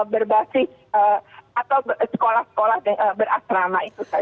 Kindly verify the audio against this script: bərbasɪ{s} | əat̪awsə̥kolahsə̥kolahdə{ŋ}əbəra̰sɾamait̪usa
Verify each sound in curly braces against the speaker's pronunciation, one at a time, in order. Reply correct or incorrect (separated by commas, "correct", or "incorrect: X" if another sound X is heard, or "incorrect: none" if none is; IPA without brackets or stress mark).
correct, correct